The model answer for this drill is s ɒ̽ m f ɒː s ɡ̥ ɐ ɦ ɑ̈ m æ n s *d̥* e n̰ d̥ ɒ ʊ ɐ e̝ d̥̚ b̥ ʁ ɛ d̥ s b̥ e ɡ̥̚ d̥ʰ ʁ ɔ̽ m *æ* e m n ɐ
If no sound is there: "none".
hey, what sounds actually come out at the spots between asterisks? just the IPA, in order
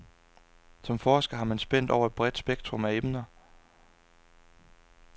b̥, æ

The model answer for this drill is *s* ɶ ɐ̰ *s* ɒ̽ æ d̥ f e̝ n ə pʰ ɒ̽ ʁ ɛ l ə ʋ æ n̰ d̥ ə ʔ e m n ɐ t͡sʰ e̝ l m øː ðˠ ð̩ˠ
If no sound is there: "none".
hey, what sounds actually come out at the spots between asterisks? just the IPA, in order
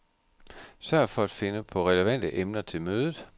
s, f

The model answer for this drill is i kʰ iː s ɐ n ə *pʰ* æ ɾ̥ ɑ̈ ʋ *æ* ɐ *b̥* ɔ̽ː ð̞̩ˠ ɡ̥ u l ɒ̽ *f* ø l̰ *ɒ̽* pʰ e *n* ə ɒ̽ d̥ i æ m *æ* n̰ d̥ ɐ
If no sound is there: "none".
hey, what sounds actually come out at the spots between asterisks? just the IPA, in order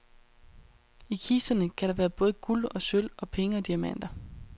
kʰ, æː, b̥, s, ɒ̽, ŋ, æ

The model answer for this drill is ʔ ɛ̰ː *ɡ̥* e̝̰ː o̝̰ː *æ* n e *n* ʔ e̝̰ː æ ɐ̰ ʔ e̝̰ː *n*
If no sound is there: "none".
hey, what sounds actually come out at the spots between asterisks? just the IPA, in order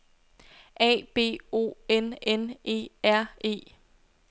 b̥, e, n, none

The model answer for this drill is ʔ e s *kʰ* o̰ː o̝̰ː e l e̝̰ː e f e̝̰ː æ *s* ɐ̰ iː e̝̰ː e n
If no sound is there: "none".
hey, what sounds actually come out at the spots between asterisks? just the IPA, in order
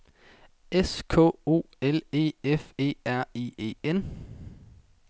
kʰ, none

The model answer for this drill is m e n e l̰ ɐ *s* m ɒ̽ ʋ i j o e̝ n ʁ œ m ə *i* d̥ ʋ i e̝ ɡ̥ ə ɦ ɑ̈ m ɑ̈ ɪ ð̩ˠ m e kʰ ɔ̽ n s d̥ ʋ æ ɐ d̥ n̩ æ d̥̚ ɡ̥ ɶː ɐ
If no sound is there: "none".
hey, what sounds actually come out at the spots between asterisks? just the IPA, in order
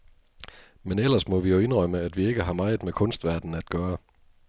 s, æ

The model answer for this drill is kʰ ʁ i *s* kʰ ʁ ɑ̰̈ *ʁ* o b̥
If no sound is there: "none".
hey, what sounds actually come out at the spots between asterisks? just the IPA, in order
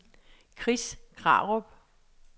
s, ʁ

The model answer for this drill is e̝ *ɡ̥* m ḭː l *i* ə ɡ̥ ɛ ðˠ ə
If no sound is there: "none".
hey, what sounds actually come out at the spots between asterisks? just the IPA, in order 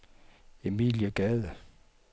none, j

